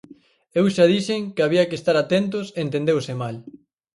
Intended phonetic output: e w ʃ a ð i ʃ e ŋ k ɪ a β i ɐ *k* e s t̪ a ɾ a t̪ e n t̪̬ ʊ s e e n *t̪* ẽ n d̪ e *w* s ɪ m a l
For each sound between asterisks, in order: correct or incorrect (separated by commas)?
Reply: correct, correct, correct